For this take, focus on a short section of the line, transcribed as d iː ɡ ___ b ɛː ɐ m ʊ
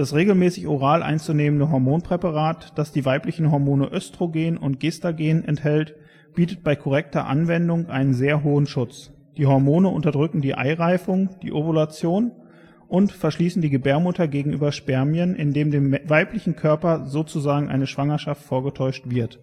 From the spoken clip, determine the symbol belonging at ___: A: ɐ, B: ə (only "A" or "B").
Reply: B